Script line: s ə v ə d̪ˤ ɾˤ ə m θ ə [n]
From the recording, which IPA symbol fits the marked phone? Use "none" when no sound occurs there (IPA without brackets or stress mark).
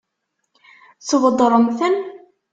n